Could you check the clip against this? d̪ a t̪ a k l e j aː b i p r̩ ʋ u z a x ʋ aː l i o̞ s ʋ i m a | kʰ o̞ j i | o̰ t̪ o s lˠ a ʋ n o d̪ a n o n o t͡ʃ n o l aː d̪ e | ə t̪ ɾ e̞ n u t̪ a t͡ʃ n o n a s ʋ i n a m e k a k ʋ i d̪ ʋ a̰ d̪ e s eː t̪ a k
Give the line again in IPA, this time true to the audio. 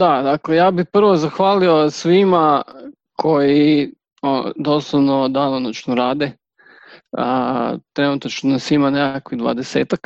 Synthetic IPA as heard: d̪ a d̪ a k l e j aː b i p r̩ ʋ o z a x ʋ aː l i o̞ s ʋ i m a | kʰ o̞ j i | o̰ d̪ o s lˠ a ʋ n o d̪ a n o n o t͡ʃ n o ɾ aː d̪ e | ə t̪ ɾ e̞ n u t̪ a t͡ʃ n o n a s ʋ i m a n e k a k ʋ i d̪ ʋ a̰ d̪ e s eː t̪ a k